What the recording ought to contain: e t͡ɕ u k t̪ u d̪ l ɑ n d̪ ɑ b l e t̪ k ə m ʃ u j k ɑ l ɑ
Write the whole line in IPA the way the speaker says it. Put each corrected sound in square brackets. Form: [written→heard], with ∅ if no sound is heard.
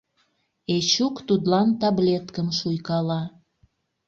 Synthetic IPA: e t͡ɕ u k t̪ u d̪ l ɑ n [d̪→t̪] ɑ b l e t̪ k ə m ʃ u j k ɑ l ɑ

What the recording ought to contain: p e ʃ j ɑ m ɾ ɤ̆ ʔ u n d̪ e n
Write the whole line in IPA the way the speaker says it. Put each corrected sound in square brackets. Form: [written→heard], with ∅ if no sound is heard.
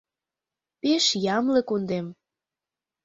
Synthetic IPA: p e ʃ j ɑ m [ɾ→l] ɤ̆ [ʔ→k] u n d̪ e [n→m]

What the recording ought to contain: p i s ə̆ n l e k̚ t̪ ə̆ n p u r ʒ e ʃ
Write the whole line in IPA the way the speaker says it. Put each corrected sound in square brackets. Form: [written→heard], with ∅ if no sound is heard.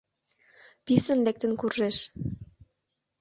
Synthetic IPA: p i s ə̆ n l e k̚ t̪ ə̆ n [p→k] u r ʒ e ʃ

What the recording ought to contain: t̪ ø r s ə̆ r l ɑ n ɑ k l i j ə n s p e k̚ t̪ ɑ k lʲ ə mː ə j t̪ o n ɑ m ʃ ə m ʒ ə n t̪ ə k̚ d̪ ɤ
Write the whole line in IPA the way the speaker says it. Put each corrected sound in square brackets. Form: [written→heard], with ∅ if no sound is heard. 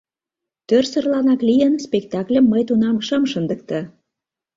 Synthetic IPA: t̪ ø r s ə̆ r l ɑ n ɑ k l i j ə n s p e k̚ t̪ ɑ k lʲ ə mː ə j t̪ [o→u] n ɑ m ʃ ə m [ʒ→ʃ] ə n [t̪→d̪] ə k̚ [d̪→t̪] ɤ

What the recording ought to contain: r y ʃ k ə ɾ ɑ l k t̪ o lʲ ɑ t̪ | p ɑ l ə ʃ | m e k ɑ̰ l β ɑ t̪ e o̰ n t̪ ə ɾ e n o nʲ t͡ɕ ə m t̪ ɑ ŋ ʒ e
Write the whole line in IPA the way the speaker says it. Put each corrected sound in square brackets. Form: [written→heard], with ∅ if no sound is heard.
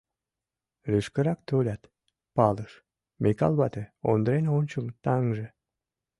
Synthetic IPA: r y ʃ k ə ɾ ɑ [l→∅] k t̪ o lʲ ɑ t̪ | p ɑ l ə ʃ | m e k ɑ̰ l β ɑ t̪ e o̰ n [t̪→d̪] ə ɾ e n o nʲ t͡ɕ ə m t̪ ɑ ŋ ʒ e

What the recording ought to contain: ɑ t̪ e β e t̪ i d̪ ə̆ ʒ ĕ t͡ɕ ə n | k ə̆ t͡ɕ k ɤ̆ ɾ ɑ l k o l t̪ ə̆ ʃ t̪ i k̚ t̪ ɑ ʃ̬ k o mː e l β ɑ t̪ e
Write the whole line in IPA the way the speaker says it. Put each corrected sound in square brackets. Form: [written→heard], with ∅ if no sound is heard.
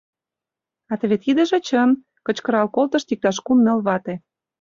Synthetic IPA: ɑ t̪ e β e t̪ i d̪ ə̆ ʒ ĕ t͡ɕ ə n | k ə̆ t͡ɕ k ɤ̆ ɾ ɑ l k o l t̪ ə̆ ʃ t̪ i k̚ t̪ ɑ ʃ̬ k [o→u] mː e l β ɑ t̪ e

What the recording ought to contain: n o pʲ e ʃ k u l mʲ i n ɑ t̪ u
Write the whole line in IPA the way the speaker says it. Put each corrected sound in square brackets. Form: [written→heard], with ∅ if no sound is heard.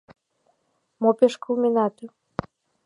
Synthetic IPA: [n→m] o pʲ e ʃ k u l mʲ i n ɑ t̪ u

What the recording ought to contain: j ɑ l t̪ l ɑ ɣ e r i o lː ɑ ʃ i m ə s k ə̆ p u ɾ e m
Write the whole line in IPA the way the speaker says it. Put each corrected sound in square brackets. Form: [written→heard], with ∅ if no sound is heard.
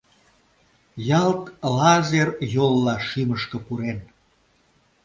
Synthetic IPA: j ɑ l t̪ l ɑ [ɣ→z] e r [i→j] o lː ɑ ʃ i m ə [s→ʃ] k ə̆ p u ɾ e [m→n]

